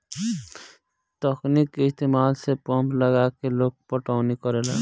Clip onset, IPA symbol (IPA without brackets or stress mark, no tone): t̪